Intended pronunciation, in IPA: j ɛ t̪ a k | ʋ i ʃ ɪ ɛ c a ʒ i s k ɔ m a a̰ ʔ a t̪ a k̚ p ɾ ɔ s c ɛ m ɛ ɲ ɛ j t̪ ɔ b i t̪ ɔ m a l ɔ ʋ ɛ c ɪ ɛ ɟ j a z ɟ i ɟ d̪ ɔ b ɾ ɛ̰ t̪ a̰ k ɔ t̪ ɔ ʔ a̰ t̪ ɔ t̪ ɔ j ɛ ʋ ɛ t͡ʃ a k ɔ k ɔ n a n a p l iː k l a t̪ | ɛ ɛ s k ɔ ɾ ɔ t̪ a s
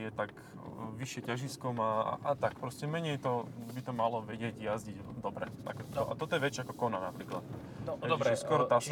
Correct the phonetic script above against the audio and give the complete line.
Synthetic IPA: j ɛ t̪ a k | ʋ i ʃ ɪ ɛ c a ʒ i s k ɔ m a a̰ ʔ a t̪ a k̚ p ɾ ɔ s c ɛ m ɛ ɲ ɛ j t̪ ɔ b i t̪ ɔ m a l ɔ ʋ ɛ ɟ ɪ ɛ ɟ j a z ɟ i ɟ d̪ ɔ b ɾ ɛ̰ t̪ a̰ k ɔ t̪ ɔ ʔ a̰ t̪ ɔ t̪ ɔ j ɛ ʋ ɛ t͡ʃ a k ɔ k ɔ n a n a p ɾ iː k l a t̪ | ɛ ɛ s k ɔ ɾ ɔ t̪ a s